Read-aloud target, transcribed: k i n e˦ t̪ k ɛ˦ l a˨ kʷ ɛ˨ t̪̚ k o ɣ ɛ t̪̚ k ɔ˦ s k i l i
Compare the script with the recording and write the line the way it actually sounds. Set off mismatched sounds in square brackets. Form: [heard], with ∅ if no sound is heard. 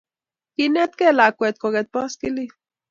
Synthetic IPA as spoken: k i n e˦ t̪ k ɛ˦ l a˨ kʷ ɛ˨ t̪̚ k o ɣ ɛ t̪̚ [p] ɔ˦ s k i l i

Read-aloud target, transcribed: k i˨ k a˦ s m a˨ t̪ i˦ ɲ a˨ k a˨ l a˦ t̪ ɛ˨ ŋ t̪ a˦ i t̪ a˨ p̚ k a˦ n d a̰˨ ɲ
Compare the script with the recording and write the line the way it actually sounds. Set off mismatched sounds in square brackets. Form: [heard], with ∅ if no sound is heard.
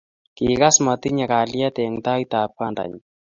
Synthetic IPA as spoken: k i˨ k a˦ s m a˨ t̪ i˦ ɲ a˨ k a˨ l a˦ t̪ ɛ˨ ŋ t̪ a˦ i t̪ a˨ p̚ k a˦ n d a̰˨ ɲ

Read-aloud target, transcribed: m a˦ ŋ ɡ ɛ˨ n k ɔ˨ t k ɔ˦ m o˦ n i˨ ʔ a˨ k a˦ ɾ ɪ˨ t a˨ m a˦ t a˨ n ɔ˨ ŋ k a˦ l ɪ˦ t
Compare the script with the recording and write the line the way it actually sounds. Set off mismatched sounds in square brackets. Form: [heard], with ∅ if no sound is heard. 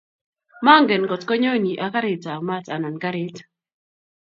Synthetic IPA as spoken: m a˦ ŋ ɡ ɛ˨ n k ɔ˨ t k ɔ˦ [ɲ] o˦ n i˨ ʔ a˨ k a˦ ɾ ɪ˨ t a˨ m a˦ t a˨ n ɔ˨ [n] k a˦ [ɾ] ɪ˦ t

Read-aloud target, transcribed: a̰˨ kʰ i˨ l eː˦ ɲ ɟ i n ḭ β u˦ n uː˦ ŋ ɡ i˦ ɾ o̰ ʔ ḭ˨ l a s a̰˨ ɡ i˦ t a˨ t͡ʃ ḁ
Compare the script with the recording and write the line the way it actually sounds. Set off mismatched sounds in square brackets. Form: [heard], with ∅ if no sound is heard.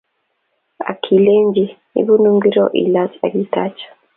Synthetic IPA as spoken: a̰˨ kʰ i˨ l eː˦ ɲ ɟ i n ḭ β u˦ n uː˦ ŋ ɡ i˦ ɾ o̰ ʔ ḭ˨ l a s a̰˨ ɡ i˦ t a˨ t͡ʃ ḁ

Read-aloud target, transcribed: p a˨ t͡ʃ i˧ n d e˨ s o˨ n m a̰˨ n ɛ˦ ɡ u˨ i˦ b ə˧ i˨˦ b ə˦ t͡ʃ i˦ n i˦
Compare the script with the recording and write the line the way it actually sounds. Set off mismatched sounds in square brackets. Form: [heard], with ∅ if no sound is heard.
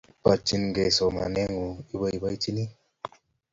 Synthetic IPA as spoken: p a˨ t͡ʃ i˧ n [ɡ] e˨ s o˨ [∅] m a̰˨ n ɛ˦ [ŋ] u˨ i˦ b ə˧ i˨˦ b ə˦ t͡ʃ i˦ n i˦

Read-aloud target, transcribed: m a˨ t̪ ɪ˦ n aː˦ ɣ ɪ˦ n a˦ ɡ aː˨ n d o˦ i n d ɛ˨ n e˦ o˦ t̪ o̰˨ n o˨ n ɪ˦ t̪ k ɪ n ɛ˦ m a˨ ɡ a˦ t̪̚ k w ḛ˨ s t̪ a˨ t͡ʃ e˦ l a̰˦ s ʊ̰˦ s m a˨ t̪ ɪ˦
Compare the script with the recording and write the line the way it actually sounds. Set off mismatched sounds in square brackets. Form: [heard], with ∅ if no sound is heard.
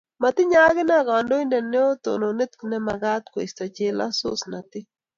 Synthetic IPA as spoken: m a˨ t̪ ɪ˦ [ɲ] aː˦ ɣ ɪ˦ n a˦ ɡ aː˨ n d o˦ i n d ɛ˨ n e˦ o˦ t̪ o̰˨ n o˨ n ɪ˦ t̪ k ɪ n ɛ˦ m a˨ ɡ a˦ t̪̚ k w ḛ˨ s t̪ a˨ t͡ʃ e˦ l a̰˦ s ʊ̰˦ s [n] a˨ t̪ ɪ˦

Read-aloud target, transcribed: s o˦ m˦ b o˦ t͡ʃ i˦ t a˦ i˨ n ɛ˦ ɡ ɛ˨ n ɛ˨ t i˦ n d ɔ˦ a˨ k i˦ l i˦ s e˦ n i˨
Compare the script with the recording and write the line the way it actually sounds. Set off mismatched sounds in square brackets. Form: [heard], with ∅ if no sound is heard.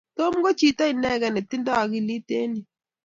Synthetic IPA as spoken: [t] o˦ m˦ [ɡ] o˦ t͡ʃ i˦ t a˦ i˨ n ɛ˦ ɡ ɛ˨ n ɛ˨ t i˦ n d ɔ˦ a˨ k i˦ l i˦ [t] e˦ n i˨

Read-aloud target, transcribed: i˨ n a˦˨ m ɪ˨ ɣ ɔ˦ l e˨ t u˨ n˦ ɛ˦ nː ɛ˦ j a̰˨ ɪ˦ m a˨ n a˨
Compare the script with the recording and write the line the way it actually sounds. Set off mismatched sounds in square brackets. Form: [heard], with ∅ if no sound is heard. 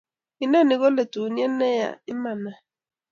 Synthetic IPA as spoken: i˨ n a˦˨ [n] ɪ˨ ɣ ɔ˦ l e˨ t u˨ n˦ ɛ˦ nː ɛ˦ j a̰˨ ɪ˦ m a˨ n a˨

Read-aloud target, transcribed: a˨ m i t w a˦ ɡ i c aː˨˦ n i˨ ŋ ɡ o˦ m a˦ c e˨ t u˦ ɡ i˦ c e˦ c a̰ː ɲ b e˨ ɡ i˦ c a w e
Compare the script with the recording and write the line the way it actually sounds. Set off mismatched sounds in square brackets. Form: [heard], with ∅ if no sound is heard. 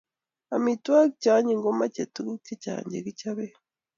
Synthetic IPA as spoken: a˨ m i t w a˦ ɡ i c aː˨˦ [ɲ] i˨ ŋ ɡ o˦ m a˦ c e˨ t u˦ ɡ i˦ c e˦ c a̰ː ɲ [ɟ] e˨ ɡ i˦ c a [β] e

